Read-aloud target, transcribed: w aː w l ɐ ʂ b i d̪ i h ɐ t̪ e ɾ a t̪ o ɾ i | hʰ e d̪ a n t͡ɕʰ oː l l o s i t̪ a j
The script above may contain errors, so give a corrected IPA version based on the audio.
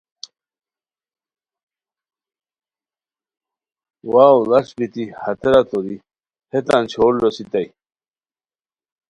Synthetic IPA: w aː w l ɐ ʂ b i t̪ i h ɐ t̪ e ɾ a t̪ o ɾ i | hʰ e t̪ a n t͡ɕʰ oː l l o s i t̪ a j